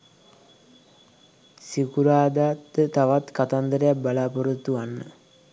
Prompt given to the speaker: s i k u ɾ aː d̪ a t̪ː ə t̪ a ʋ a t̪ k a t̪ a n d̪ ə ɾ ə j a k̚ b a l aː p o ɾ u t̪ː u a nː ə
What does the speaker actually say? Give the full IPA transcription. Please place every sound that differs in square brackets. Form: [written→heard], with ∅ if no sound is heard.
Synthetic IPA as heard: s i k u ɾ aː d̪ a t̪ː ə t̪ a ʋ a t̪ k a t̪ a n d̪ ə ɾ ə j a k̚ b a l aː p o ɾ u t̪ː u a nː ə